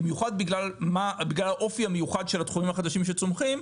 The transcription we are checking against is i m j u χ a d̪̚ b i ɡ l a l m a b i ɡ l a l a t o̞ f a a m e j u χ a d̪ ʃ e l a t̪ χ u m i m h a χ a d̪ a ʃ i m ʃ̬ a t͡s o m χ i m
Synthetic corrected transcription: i m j u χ a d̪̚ b i ɡ l a l m a b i ɡ l a l a ʔ o̞ f i a m e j u χ a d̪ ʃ e l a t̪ χ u m i m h a χ a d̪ a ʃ i m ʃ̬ e t͡s o m χ i m